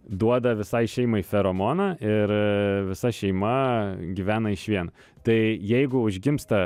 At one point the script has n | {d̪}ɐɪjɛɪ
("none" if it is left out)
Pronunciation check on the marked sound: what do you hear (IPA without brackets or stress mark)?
t̪